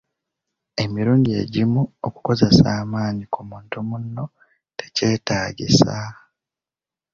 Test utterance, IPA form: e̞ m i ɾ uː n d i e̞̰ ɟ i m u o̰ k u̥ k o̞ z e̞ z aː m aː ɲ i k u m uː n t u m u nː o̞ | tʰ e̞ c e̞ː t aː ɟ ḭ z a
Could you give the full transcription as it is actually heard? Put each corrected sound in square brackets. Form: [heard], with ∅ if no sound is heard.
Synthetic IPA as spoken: e̞ m i ɾ uː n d i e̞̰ ɟ i m u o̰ k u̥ k o̞ z e̞ [s] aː m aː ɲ i k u m uː n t u m u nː o̞ | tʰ e̞ c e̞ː t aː ɟ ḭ [s] a